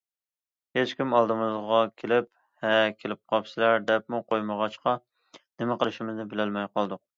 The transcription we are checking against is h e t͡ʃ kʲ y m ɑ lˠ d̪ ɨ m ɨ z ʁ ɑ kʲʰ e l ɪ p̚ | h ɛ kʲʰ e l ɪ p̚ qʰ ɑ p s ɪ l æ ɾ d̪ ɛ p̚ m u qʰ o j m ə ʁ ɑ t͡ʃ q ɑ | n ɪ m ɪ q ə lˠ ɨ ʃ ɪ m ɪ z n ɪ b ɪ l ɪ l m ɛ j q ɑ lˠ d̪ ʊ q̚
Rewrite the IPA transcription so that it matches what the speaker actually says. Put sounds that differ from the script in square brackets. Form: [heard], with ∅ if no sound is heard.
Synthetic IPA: h e t͡ʃ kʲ [i] m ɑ lˠ d̪ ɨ m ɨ z ʁ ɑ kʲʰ e l ɪ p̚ | h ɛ kʲʰ e l ɪ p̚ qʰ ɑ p s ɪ l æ ɾ d̪ ɛ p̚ m u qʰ o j m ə ʁ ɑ t͡ʃ q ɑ | n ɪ m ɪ q ə lˠ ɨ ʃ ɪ m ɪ z n ɪ b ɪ l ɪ l m ɛ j q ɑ lˠ d̪ ʊ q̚